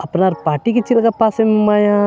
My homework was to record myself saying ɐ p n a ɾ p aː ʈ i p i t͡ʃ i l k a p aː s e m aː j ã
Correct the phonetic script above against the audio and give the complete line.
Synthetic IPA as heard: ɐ p n a ɾ p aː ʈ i k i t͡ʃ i l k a p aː s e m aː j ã